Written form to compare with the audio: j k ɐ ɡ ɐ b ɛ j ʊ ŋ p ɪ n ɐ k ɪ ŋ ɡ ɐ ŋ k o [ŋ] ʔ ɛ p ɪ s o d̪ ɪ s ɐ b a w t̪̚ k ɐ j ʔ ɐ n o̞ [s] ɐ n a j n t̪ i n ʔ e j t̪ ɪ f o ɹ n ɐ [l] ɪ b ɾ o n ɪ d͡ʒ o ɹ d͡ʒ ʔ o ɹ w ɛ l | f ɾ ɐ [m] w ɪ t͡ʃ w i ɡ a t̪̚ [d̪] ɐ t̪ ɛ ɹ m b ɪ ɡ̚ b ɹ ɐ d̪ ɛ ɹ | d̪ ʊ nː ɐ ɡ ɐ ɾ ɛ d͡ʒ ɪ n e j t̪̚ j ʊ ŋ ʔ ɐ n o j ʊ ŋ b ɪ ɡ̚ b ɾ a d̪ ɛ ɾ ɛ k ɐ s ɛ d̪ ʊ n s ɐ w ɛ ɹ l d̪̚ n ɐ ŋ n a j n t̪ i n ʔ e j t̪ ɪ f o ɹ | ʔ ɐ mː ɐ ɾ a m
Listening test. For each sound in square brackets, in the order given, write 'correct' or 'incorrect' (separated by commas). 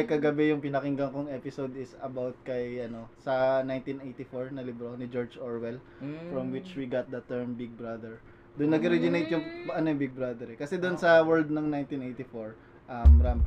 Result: correct, correct, correct, correct, correct